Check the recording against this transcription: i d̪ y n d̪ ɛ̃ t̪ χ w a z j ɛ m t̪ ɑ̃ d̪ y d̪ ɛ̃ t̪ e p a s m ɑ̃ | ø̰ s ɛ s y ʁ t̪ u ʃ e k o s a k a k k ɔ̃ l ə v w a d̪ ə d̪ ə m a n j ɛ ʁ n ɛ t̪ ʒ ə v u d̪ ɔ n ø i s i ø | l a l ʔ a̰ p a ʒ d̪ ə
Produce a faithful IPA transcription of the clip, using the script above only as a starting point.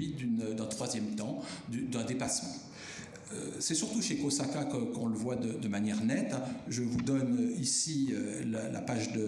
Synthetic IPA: i d̪ y n d̪ ɛ̃ t̪ χ w a z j ɛ m t̪ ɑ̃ d̪ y d̪ ɛ̃ d̪ e p a s m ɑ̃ | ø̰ s ɛ s y ʁ t̪ u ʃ e k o s a k a k k ɔ̃ l ə v w a d̪ ə d̪ ə m a n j ɛ ʁ n ɛ t̪ ʒ ə v u d̪ ɔ n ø i s i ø | l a l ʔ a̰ p a ʒ d̪ ə